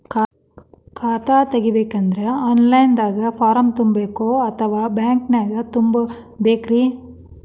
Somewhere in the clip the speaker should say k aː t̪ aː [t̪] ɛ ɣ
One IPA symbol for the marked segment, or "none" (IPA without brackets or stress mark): t̪